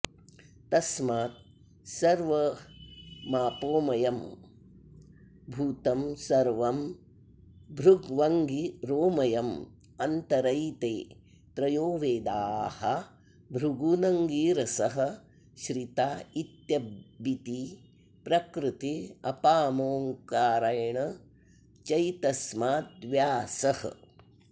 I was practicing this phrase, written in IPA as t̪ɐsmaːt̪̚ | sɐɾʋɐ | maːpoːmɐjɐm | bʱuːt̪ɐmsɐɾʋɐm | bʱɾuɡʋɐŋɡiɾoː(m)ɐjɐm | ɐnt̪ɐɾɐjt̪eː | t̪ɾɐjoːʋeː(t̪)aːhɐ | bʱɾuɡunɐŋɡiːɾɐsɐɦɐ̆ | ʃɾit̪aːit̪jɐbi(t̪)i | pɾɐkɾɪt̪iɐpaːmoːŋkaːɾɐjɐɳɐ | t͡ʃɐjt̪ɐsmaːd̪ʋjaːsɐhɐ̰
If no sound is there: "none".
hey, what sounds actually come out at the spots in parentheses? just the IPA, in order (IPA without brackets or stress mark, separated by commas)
m, d̪, t̪